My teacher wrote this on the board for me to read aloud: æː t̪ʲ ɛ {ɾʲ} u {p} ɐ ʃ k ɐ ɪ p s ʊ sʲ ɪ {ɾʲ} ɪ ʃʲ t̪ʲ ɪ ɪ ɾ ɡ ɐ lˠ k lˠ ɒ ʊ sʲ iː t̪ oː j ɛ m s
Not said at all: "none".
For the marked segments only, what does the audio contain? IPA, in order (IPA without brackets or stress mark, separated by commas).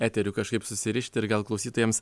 ɾʲ, k, ɾʲ